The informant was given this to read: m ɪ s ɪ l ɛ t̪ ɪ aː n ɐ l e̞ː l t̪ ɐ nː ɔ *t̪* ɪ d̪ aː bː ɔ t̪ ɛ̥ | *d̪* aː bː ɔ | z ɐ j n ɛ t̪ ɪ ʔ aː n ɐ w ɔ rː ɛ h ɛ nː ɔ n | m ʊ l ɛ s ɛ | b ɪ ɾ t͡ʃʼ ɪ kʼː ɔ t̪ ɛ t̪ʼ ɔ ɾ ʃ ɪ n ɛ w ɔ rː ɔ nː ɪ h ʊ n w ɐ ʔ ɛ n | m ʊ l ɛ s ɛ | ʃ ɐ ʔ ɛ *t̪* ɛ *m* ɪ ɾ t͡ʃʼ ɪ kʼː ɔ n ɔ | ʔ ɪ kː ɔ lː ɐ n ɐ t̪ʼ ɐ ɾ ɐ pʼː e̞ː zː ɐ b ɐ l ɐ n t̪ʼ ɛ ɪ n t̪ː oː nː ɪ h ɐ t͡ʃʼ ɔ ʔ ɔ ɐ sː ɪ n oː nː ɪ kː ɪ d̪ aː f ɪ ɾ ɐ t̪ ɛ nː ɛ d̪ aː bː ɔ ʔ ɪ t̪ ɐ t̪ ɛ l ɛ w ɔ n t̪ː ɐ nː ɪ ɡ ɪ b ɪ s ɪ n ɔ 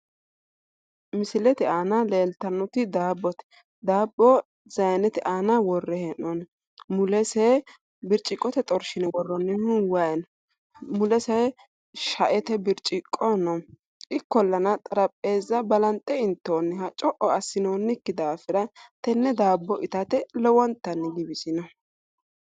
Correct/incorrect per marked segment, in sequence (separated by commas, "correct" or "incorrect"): correct, correct, correct, incorrect